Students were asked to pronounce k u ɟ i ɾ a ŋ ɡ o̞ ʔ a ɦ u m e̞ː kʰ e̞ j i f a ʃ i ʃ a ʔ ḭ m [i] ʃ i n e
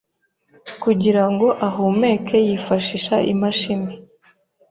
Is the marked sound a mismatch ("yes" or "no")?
yes